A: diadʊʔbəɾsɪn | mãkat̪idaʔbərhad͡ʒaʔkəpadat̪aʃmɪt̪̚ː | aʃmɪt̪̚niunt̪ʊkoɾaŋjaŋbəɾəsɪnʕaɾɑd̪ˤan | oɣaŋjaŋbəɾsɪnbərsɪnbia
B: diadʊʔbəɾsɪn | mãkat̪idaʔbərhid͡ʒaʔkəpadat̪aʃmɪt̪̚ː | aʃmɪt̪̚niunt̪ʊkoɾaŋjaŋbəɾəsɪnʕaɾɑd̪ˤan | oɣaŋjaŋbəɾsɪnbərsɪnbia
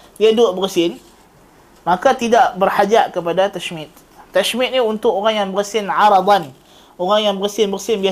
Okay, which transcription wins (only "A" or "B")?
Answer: A